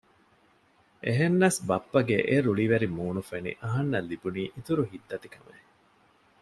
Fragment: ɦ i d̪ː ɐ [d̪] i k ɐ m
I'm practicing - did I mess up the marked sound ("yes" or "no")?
yes